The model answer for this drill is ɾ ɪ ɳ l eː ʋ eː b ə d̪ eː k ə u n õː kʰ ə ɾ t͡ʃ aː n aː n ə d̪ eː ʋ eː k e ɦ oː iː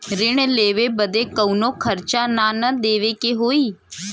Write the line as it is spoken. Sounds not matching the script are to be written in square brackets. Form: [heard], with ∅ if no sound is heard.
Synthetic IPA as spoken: ɾ ɪ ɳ l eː ʋ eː b ə d̪ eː k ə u n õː kʰ ə ɾ t͡ʃ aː n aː n ə d̪ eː ʋ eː k e ɦ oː iː